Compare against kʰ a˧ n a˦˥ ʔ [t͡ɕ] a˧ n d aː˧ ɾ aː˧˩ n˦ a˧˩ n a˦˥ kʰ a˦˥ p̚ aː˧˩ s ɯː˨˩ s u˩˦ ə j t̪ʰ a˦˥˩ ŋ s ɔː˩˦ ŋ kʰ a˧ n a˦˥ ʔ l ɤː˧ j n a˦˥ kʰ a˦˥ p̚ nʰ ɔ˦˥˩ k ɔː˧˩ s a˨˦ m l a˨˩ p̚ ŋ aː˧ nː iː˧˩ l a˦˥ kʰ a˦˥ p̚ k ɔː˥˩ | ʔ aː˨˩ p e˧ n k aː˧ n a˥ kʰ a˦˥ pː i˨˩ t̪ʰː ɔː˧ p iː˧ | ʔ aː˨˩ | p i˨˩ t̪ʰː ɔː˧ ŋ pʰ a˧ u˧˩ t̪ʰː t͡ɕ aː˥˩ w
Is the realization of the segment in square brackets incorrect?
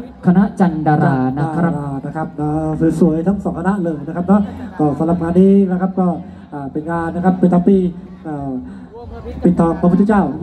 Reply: no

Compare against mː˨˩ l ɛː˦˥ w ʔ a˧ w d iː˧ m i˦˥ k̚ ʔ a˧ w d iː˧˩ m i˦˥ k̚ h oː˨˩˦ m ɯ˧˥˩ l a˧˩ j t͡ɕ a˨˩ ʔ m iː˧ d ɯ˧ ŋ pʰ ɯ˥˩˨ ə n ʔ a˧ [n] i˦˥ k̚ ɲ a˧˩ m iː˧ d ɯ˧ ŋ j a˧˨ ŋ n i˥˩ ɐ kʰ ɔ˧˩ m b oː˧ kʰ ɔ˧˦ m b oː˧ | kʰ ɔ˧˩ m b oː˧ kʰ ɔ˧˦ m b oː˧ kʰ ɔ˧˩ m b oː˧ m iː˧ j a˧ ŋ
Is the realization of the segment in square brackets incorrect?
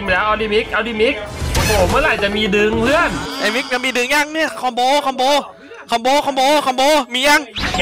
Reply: yes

